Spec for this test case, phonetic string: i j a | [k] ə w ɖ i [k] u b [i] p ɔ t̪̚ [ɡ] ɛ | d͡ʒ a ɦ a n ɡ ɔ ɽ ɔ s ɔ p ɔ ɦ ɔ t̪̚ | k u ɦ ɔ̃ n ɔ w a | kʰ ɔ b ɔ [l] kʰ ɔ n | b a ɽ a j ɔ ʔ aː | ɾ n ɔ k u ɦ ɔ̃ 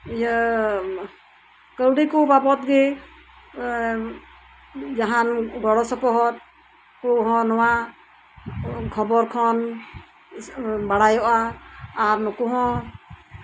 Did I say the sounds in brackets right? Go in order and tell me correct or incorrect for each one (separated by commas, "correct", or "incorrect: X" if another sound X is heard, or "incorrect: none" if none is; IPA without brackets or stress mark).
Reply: correct, correct, incorrect: a, correct, incorrect: ɾ